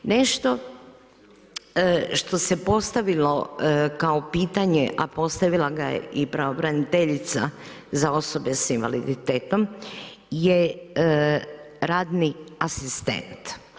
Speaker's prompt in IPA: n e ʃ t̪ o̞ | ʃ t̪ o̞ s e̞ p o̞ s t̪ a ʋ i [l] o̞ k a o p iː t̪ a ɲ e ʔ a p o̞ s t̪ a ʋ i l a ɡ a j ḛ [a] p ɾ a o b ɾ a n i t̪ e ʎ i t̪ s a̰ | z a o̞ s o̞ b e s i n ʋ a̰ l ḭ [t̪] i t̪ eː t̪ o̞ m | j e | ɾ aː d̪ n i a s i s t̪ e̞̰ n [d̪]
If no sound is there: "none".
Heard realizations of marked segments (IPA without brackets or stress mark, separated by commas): l, i, d̪, t̪